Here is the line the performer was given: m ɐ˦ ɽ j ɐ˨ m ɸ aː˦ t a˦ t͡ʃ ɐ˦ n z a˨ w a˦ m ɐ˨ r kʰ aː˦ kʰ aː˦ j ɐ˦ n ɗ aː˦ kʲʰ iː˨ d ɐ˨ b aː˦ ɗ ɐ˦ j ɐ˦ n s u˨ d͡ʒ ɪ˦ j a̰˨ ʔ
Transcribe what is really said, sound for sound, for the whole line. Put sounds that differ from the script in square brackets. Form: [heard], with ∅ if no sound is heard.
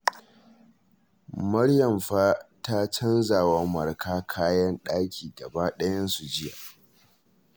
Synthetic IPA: m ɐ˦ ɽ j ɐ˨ m ɸ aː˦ t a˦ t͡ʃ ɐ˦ n z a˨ w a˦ m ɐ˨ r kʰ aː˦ kʰ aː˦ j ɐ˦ n ɗ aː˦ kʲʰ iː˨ d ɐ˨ b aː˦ ɗ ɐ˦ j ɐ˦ n s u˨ d͡ʒ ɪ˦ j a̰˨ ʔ